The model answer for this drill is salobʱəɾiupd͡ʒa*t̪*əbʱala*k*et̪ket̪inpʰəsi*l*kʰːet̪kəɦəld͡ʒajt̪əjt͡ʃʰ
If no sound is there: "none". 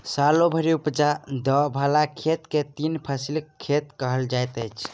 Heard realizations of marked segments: d̪, kʰ, l

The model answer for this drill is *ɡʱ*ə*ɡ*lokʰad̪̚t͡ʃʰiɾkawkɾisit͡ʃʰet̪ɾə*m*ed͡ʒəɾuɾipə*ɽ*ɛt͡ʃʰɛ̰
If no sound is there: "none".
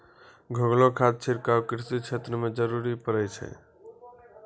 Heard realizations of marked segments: ɡʱ, ɡ, m, ɾ

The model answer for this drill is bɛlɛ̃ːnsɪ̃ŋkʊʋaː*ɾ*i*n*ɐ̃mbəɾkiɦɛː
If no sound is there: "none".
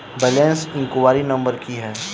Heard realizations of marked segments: ɾ, n

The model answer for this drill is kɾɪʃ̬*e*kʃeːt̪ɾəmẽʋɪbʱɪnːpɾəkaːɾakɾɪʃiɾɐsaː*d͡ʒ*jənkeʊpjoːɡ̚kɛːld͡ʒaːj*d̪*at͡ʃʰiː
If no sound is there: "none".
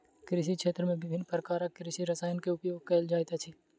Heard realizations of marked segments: i, none, t̪

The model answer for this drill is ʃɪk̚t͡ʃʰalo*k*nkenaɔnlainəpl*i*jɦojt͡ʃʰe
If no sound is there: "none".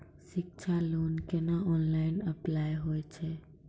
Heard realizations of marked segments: none, a

